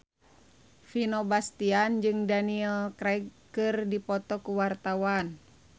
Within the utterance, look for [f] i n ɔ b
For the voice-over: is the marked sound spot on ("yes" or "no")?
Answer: yes